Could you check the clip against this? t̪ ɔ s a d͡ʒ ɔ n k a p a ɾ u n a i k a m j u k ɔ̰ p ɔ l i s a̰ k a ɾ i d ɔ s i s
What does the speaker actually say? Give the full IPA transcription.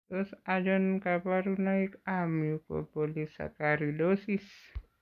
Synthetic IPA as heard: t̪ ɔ s a d͡ʒ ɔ n k a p a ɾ u n a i k a m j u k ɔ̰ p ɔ l i s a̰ k a ɾ i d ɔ s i s